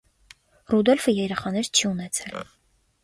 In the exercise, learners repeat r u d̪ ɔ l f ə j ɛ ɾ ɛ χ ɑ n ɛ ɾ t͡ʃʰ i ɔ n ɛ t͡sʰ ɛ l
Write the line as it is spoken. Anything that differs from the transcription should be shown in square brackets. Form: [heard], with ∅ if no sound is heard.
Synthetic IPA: r u d̪ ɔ l f ə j ɛ ɾ ɛ χ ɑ n ɛ ɾ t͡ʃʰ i [u] n ɛ t͡sʰ ɛ l